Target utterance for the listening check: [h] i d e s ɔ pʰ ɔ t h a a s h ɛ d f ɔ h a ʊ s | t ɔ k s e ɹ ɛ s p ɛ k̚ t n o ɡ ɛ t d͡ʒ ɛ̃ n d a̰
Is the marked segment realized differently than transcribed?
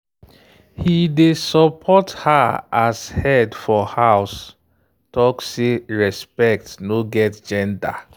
no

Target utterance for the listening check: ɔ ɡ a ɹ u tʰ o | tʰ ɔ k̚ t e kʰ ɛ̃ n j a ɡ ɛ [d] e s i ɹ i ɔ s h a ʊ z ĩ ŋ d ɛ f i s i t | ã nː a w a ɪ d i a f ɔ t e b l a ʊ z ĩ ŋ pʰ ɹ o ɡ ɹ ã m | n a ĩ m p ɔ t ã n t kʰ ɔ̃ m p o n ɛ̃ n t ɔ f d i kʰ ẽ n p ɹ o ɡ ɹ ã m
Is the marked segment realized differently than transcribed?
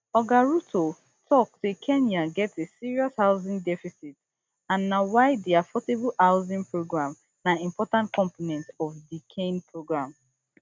yes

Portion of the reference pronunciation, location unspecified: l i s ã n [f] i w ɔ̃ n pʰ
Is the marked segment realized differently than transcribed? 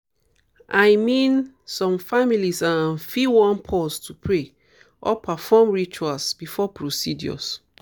no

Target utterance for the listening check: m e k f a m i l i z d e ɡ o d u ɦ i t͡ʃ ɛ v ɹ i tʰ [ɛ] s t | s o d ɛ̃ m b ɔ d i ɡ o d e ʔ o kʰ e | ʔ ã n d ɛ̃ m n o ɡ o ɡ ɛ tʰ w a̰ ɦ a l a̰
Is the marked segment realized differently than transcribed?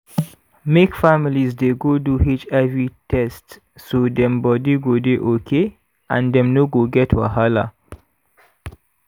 no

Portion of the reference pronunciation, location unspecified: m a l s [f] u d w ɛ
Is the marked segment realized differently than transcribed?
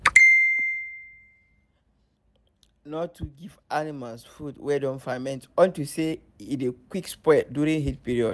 no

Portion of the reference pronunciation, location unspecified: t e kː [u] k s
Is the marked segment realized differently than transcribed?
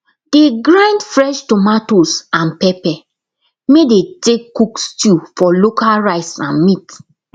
no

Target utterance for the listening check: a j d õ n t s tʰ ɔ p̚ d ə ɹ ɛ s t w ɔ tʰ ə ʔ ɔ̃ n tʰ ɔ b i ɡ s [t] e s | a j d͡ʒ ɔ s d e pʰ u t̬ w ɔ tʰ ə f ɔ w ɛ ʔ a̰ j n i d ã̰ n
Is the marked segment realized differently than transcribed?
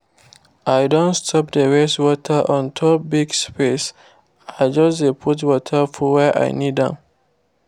yes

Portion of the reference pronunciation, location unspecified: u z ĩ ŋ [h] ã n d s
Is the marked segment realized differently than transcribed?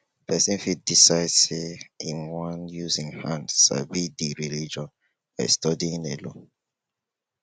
no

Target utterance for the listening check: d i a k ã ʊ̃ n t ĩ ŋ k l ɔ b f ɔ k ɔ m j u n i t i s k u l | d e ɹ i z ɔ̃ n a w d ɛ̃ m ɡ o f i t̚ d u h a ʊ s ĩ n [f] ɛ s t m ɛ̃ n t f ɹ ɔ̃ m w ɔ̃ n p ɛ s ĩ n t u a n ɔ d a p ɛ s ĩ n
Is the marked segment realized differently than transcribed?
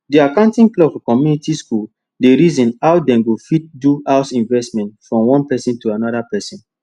yes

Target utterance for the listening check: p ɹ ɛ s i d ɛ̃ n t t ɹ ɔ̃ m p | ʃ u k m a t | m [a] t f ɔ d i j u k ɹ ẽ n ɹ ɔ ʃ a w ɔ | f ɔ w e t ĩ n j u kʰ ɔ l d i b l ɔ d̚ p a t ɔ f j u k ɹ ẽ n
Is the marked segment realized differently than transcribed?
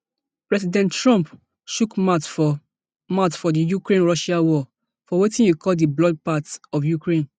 no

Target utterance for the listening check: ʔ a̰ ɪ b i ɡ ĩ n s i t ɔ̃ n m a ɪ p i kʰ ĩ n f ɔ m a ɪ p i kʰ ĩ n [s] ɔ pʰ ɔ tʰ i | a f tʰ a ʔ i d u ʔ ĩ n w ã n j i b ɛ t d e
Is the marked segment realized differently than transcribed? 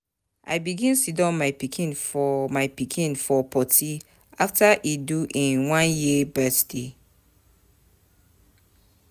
yes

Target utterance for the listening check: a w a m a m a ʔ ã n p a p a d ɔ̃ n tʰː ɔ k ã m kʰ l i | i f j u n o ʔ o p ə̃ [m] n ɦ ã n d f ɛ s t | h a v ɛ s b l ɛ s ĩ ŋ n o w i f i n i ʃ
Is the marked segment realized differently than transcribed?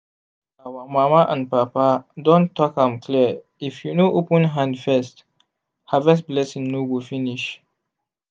yes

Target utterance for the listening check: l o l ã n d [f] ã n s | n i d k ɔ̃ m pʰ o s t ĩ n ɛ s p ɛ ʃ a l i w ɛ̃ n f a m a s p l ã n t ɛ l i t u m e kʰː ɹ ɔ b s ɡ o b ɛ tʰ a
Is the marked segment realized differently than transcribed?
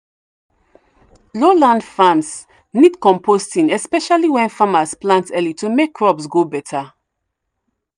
no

